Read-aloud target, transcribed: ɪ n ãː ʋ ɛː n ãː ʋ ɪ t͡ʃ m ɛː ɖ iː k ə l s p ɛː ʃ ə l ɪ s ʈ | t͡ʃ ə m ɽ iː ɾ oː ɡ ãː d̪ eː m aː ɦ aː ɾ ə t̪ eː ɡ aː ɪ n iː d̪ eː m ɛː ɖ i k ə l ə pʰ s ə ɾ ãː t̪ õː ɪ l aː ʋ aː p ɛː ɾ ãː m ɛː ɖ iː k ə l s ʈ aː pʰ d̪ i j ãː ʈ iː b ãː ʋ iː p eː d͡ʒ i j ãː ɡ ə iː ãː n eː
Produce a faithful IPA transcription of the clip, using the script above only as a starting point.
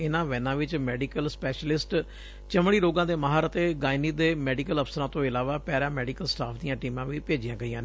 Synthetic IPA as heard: ɪ n ãː ʋ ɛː n ãː ʋ ɪ t͡ʃ m ɛː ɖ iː k ə l s p ɛː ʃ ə l ɪ s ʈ | t͡ʃ ə m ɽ iː ɾ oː ɡ ãː d̪ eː m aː ɦ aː ɾ ə t̪ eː ɡ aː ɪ n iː d̪ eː m ɛː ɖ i k ə l ə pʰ s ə ɾ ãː t̪ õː ɪ l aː ʋ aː p ɛː ɾ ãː m ɛː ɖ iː k ə l s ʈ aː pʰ d̪ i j ãː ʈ iː m ãː ʋ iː p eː d͡ʒ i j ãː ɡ ə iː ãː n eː